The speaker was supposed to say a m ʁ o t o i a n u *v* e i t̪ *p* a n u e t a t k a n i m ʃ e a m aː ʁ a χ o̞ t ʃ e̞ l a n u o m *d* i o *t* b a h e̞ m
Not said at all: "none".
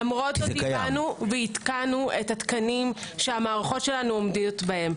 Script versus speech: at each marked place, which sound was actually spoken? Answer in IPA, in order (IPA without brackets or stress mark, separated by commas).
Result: v, k, d, t